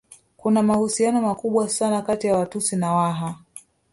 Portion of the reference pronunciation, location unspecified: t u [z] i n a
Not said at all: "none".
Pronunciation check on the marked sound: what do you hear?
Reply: s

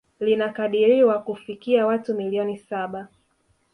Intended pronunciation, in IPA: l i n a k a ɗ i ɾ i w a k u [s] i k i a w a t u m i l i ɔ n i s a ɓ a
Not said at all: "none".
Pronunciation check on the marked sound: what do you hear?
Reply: f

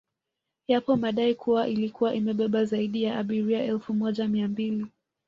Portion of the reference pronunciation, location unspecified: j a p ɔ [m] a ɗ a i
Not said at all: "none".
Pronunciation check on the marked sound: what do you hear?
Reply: m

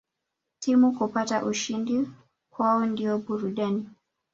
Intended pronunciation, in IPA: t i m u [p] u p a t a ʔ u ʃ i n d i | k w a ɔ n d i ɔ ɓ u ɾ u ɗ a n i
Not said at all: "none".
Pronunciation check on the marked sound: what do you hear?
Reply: k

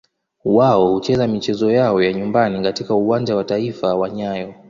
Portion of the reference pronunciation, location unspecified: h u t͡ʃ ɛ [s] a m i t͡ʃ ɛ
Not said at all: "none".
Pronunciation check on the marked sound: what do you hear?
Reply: z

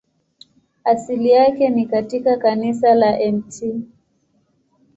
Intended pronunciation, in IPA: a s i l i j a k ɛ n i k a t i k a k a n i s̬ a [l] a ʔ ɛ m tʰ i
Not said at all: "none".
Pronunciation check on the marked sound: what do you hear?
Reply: l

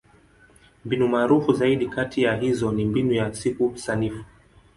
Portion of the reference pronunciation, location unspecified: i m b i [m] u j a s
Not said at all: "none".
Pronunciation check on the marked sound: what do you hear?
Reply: n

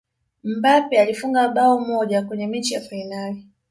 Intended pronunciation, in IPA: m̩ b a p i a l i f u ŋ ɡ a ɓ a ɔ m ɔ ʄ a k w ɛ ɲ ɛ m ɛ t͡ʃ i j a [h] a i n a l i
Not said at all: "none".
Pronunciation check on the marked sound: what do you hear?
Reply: f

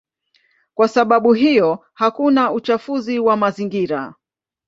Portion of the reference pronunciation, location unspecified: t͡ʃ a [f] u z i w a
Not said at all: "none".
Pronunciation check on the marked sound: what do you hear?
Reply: f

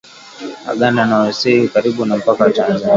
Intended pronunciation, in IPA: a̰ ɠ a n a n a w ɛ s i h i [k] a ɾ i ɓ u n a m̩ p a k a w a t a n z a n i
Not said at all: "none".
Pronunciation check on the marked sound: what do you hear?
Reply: k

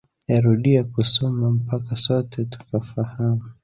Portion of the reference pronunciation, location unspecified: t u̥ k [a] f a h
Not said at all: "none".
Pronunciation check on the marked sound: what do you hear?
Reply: a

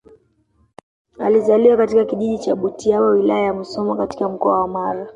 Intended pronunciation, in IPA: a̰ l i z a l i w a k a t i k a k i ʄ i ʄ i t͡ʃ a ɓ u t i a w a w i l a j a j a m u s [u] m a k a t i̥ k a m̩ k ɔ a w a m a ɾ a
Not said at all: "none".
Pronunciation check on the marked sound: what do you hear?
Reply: ɔ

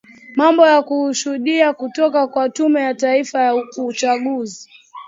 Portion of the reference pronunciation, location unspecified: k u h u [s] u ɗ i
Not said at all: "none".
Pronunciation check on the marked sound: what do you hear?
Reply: ʃ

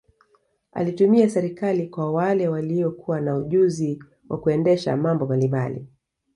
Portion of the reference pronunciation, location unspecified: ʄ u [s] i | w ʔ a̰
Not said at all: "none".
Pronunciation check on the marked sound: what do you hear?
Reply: z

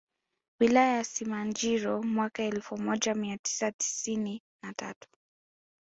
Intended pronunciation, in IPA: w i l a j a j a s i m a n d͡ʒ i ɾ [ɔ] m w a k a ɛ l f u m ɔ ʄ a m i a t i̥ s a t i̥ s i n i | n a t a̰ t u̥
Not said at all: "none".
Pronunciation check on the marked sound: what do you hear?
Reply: ɔ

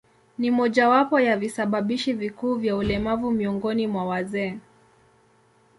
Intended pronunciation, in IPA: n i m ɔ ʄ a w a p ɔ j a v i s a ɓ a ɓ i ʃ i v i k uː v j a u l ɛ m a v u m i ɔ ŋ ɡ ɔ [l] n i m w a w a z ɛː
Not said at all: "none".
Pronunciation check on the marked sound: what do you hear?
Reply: none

